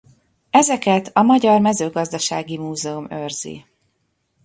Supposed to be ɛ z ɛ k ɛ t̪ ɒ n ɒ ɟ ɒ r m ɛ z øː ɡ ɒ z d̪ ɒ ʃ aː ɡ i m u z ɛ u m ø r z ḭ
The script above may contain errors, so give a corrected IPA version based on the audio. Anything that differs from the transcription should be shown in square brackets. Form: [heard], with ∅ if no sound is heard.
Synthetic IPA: ɛ z ɛ k ɛ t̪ ɒ [m] ɒ ɟ ɒ r m ɛ z øː ɡ ɒ z d̪ ɒ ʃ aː ɡ i m [uː] z ɛ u m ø r z ḭ